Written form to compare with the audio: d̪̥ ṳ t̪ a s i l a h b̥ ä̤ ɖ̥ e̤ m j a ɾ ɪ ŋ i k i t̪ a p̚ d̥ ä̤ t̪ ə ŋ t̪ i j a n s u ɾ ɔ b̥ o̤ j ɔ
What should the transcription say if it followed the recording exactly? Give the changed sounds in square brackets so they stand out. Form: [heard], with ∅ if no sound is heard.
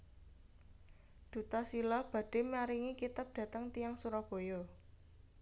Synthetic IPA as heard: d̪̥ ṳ t̪ a s i l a h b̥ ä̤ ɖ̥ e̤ m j a ɾ [i] ŋ i k i t̪ a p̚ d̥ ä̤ t̪ ə ŋ t̪ i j a [ŋ] s u ɾ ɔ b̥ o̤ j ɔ